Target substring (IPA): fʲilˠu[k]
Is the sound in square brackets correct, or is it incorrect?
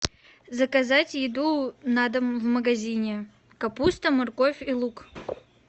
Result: correct